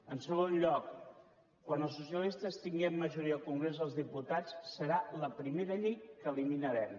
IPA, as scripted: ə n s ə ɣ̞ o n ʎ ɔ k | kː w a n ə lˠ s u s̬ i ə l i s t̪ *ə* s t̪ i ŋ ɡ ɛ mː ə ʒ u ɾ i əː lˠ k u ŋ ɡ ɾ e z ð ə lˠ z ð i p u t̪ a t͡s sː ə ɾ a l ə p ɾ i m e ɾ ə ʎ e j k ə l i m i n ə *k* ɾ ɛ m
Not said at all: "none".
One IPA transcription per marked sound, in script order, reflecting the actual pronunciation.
ə, none

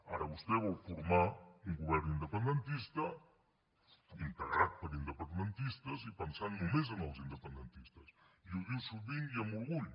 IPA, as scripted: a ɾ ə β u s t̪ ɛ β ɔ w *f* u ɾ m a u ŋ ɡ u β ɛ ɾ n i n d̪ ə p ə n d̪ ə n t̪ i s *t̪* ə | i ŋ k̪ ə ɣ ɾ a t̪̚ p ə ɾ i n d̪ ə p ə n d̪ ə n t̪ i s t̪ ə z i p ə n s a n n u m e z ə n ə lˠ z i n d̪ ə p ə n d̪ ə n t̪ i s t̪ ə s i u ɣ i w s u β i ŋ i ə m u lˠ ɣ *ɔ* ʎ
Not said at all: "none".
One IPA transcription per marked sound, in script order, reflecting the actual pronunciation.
f, t̪, u

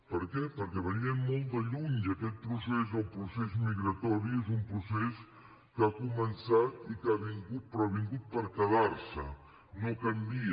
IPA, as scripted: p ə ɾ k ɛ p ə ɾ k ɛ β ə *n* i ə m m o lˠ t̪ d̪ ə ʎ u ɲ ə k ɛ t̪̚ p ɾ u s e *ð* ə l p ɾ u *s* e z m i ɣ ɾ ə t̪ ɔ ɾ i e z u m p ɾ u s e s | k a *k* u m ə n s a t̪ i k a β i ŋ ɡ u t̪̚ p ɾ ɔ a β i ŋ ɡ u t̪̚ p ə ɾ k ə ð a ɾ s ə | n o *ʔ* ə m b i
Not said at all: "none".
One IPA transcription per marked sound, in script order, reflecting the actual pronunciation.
n, z, s, k, k

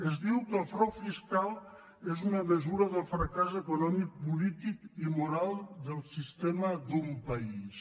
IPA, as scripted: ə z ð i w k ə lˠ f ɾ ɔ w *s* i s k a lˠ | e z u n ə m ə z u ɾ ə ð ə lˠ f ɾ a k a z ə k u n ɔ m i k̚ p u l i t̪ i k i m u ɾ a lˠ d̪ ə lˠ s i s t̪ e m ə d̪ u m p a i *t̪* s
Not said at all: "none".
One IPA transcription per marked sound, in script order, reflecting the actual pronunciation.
f, none

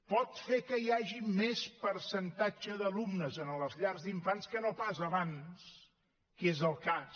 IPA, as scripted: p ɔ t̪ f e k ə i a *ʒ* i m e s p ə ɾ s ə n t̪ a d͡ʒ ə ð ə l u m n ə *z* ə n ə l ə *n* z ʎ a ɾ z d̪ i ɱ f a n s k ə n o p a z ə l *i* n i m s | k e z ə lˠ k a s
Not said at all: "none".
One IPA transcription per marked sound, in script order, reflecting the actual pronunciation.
ʒ, z, none, a

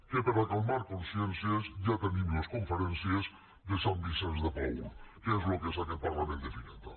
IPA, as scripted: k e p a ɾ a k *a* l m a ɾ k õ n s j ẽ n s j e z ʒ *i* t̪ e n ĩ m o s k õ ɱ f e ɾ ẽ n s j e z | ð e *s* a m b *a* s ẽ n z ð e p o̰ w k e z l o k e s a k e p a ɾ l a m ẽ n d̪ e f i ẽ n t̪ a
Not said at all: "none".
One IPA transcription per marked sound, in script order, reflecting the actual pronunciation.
a, a, s, i

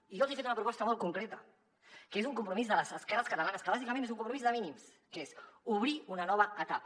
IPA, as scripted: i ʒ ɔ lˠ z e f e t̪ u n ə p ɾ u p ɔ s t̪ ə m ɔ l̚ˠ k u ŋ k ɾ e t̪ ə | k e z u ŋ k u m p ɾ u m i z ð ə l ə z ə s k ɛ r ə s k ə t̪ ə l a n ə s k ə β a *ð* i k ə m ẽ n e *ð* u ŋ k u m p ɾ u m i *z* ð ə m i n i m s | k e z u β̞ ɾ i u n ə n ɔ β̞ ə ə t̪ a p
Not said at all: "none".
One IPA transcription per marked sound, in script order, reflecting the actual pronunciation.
z, z, z

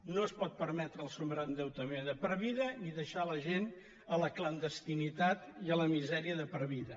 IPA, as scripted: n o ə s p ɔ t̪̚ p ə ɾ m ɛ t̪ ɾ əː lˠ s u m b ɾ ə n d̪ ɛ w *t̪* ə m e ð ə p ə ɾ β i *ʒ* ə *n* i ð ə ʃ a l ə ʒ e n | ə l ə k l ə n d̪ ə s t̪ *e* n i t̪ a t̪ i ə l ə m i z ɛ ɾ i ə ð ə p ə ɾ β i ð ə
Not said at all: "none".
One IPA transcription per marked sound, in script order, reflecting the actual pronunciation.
t̪, ð, n, i

